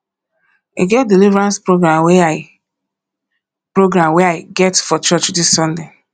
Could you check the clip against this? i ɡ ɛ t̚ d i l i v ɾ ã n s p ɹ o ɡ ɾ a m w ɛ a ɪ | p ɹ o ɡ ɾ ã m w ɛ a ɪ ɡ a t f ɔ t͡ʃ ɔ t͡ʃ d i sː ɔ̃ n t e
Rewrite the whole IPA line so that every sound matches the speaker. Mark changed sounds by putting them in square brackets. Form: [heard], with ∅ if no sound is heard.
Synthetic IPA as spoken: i ɡ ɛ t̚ d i l i v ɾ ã n s p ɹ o ɡ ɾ a m w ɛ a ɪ | p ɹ o ɡ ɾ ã m w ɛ a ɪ ɡ [ɛ] t f ɔ t͡ʃ ɔ t͡ʃ d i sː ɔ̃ n [d] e